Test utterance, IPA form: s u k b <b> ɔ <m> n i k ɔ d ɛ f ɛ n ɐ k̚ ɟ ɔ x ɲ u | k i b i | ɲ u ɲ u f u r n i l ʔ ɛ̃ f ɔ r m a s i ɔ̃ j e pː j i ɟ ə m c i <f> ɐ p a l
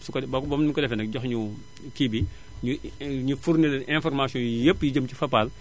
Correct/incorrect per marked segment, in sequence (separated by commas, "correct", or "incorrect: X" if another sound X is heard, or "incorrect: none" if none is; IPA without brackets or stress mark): correct, correct, correct